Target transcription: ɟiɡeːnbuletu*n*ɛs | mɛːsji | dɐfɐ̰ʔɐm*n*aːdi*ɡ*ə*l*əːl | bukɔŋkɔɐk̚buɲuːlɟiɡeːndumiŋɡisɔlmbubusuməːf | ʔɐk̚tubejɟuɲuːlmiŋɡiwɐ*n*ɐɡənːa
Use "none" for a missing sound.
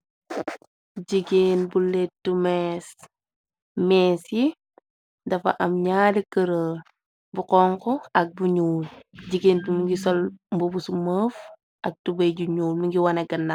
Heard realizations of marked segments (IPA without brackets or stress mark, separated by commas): m, ɲ, k, ɾ, n